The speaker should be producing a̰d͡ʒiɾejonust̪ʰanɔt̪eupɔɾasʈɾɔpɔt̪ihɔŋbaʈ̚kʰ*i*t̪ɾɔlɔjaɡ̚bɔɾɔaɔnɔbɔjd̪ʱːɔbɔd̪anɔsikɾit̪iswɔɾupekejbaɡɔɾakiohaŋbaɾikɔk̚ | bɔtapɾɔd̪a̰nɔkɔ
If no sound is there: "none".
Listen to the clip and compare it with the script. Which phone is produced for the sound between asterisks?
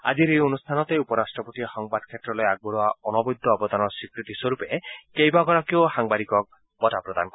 e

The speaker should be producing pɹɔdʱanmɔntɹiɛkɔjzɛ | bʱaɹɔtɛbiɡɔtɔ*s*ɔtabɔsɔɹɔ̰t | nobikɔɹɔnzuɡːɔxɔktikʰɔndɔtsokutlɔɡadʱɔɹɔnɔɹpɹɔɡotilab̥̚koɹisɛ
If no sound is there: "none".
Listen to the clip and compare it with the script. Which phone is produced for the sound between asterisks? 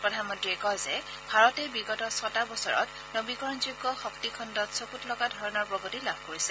s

